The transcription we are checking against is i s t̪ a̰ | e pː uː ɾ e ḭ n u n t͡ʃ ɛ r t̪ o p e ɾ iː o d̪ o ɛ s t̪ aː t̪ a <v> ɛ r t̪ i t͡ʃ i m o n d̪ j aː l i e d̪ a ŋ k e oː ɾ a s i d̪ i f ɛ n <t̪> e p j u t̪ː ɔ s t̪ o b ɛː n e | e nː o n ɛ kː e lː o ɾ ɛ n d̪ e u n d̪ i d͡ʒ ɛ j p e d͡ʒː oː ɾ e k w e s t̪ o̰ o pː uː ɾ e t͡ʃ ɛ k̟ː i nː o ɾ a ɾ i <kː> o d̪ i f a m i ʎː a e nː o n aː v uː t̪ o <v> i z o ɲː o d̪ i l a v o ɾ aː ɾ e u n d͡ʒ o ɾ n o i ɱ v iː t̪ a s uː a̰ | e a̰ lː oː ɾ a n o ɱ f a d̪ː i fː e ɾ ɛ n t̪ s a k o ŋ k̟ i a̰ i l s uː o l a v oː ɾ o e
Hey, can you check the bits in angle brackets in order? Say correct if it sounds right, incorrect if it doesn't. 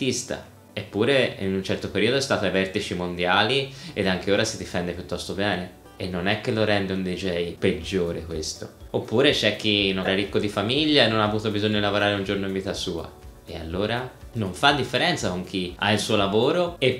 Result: correct, incorrect: d̪, correct, incorrect: b

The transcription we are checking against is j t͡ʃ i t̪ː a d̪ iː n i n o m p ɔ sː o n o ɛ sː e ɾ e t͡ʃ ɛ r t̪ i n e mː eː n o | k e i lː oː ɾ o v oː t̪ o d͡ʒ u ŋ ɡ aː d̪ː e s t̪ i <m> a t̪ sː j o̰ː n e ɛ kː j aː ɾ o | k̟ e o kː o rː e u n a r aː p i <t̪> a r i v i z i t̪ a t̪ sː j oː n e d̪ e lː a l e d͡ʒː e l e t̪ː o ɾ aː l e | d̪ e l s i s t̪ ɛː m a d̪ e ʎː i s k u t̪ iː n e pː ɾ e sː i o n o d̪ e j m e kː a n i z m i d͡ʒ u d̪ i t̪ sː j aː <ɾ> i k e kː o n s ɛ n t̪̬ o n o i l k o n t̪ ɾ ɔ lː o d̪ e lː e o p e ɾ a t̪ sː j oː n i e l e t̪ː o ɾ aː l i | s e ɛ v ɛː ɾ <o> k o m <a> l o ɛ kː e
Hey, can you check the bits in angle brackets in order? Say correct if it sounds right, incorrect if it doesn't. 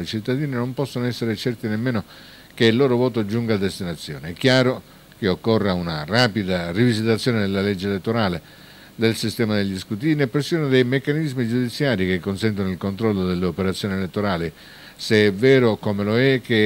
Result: incorrect: n, incorrect: d̪, correct, correct, incorrect: e

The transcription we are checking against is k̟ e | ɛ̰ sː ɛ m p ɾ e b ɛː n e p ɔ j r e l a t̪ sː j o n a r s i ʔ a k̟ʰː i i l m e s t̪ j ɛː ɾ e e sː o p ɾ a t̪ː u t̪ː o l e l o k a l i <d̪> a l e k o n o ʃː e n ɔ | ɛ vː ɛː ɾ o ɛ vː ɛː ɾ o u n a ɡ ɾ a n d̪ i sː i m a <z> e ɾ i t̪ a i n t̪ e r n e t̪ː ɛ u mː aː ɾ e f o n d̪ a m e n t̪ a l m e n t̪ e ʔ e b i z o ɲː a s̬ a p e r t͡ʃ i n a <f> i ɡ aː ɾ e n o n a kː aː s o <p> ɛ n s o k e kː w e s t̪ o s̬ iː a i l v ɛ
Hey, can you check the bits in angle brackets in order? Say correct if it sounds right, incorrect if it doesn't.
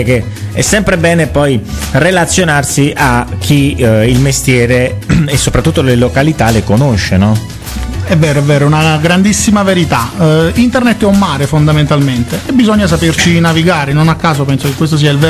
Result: incorrect: t̪, incorrect: v, incorrect: v, correct

